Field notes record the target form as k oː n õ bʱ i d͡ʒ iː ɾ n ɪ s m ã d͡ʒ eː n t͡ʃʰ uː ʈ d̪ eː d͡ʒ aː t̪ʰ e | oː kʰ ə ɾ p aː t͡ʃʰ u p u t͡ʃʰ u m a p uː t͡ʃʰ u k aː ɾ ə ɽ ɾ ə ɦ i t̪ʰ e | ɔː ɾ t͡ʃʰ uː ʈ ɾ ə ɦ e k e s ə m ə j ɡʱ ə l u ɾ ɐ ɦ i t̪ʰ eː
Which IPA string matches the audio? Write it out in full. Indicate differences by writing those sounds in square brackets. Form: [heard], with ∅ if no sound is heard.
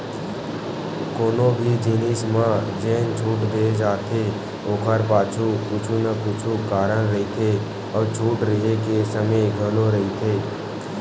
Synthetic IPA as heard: k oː n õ bʱ i d͡ʒ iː [∅] n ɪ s m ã d͡ʒ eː n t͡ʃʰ uː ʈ d̪ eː d͡ʒ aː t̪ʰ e | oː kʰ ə ɾ p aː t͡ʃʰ u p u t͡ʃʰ u [n] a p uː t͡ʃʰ u k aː ɾ ə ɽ ɾ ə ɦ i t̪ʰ e | ɔː ɾ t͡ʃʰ uː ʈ ɾ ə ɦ e k e s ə m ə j ɡʱ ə l [o] ɾ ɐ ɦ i t̪ʰ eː